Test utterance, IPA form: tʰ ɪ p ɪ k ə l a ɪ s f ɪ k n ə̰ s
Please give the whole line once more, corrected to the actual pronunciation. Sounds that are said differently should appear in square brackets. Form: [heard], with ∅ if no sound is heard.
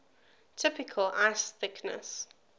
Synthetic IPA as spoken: tʰ ɪ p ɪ [kʰ] ə l a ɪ s [θ] ɪ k n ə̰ s